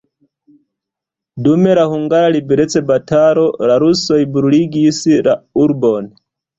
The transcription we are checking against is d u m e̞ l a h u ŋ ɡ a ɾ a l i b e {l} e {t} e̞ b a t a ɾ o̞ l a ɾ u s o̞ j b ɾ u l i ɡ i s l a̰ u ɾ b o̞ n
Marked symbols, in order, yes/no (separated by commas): no, no